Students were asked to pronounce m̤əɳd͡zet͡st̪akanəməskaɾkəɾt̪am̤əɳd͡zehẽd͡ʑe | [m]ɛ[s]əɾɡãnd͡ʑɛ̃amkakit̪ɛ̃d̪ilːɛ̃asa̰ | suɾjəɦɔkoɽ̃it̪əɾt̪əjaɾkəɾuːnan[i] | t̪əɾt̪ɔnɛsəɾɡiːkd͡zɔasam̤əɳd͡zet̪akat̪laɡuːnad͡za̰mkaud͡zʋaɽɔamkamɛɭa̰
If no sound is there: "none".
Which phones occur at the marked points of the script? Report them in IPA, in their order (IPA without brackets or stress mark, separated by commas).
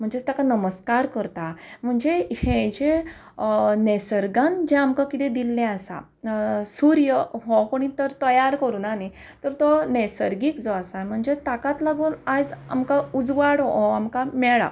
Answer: n, s, i